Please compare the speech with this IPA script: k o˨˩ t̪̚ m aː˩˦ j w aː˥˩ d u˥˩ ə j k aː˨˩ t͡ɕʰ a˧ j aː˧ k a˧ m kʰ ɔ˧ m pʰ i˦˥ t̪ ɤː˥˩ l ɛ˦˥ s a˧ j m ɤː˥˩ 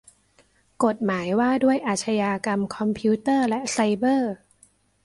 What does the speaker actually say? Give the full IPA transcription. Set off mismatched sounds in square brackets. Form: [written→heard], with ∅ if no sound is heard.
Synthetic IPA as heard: k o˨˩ t̪̚ m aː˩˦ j w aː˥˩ d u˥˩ ə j [k→ʔ] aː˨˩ t͡ɕʰ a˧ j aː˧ k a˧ m kʰ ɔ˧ m pʰ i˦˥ t̪ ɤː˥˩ l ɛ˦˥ s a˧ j [m→b] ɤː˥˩